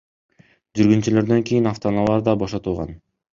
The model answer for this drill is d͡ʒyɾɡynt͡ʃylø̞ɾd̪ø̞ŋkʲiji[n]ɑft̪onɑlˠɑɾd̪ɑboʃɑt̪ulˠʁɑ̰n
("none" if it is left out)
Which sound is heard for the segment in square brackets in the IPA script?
n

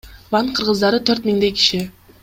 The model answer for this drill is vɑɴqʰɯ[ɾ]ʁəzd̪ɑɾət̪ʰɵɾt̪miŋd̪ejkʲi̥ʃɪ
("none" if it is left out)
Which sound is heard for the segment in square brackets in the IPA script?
ɾ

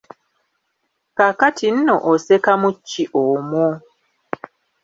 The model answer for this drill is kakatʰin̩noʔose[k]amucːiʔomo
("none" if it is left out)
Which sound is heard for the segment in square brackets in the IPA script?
k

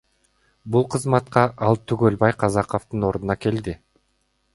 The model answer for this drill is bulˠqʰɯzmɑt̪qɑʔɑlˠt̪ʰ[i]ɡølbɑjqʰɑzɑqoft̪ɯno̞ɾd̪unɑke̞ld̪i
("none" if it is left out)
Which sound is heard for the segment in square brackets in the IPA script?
y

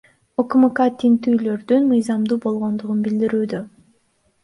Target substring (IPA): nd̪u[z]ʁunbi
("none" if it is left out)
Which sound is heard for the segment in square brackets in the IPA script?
none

